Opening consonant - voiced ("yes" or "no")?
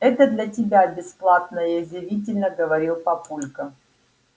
no